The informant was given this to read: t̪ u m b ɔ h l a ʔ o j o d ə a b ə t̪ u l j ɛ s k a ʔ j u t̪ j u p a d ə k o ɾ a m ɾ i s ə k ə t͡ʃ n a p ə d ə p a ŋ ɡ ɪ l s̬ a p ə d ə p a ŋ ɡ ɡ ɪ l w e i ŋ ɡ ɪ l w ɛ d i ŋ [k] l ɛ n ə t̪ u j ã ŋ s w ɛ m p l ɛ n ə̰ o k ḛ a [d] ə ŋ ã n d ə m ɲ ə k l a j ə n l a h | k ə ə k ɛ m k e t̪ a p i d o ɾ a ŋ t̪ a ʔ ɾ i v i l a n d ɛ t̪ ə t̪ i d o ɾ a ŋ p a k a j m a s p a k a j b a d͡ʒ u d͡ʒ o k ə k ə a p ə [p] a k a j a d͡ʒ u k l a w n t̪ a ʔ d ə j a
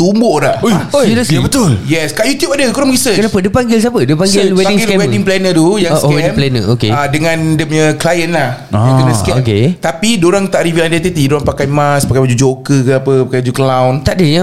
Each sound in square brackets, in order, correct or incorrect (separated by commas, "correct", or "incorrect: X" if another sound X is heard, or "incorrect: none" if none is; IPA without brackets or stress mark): incorrect: p, correct, correct